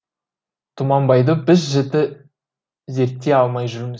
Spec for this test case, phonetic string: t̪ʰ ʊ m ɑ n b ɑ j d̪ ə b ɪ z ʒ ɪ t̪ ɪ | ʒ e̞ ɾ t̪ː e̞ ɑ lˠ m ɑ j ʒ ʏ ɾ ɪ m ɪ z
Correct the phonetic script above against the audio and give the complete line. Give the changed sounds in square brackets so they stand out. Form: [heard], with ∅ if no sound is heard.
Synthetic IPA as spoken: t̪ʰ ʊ m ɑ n b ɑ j d̪ ə b ɪ z ʒ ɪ t̪ ɪ | [z] e̞ ɾ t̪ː e̞ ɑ lˠ m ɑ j ʒ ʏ ɾ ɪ m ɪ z